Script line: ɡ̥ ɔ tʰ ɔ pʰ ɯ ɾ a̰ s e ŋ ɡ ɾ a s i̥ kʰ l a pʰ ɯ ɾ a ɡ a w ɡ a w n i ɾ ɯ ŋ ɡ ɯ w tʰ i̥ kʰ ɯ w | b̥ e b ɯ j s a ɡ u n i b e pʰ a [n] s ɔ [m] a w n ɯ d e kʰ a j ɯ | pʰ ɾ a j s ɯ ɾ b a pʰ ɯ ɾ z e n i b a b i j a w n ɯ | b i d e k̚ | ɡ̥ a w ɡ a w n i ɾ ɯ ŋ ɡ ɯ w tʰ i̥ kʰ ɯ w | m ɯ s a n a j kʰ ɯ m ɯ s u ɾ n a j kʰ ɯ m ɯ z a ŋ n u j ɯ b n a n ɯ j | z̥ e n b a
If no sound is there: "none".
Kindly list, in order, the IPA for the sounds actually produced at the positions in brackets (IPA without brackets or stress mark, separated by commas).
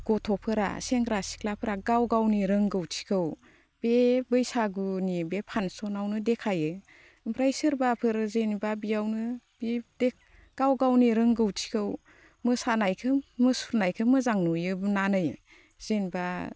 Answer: n, n